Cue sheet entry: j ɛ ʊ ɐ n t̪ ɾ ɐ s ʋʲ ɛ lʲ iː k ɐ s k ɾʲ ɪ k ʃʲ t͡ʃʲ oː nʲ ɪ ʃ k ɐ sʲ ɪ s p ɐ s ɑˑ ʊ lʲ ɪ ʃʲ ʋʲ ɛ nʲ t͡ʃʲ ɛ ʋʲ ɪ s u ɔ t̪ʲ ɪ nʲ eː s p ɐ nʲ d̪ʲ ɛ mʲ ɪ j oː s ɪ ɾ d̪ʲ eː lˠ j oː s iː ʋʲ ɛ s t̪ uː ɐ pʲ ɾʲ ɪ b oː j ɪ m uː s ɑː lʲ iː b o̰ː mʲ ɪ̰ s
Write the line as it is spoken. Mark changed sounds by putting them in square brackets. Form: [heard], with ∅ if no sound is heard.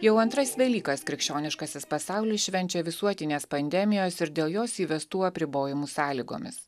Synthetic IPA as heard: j ɛ ʊ ɐ n t̪ ɾ ɐ s ʋʲ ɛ lʲ iː k ɐ s k ɾʲ ɪ k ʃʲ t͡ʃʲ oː nʲ ɪ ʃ k ɐ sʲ ɪ s p ɐ s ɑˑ ʊ lʲ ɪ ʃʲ ʋʲ ɛ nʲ t͡ʃʲ ɛ ʋʲ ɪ s u ɔ t̪ʲ ɪ nʲ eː s p ɐ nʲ d̪ʲ ɛ mʲ ɪ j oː s ɪ ɾ d̪ʲ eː lˠ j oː s iː ʋʲ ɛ s t̪ uː ɐ pʲ ɾʲ ɪ b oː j ɪ m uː s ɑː lʲ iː [ɡ] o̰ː mʲ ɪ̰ s